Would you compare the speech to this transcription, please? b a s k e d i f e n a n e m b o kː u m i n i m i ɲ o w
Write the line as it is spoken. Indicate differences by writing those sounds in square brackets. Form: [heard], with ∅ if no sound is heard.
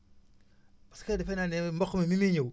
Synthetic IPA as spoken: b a s k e d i f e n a n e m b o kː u m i [m] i m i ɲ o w